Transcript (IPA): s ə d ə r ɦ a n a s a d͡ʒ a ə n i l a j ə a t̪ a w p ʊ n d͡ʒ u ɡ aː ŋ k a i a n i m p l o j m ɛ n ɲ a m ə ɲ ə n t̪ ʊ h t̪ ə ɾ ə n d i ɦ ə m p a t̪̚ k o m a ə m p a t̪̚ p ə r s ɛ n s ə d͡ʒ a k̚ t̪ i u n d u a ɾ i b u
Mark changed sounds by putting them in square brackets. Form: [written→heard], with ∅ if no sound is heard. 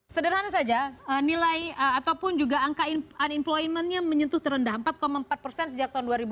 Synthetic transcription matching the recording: s ə d ə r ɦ a n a s a d͡ʒ a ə n i l a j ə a t̪ a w p ʊ n d͡ʒ u ɡ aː ŋ k a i a n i m p l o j m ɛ n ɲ a m ə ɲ ə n t̪ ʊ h t̪ ə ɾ ə n d [i→a] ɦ ə m p a t̪̚ k o m a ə m p a t̪̚ p ə r s ɛ n s ə d͡ʒ a k̚ t̪ [i→a] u n d u a ɾ i b u